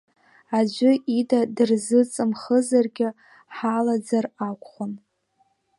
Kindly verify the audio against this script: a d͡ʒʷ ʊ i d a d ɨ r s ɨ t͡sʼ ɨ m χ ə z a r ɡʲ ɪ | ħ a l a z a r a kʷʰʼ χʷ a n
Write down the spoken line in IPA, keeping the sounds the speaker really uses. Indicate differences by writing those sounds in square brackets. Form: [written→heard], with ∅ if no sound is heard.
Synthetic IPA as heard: a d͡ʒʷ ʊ i d a d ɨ r [s→z] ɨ t͡sʼ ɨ m χ ə z a r ɡʲ ɪ | ħ a l a [z→d͡z] a r a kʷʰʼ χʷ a n